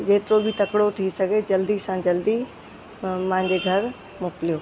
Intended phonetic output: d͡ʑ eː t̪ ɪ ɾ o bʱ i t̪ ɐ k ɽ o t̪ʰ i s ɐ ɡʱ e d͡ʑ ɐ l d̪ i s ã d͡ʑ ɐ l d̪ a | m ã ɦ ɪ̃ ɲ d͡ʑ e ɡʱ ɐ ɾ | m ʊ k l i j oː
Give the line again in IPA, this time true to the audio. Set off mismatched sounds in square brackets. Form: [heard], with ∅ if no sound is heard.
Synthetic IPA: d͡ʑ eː t̪ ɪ ɾ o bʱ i t̪ ɐ k ɽ o t̪ʰ i s ɐ ɡʱ e d͡ʑ ɐ l d̪ i s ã d͡ʑ ɐ l d̪ [i] | m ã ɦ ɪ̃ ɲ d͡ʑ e ɡʱ ɐ ɾ | m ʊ k l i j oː